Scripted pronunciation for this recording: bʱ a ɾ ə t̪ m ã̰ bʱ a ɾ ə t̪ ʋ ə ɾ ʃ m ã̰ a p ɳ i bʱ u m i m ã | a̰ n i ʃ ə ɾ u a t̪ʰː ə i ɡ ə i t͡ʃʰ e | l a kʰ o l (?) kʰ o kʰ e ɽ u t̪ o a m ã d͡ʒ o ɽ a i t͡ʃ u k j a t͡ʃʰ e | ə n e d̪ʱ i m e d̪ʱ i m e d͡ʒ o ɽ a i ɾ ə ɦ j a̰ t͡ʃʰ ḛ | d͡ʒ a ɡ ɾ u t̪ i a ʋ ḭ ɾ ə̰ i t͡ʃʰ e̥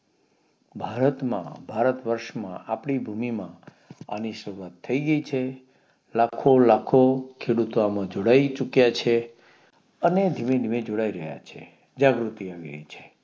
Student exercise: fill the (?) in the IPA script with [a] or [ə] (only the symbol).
a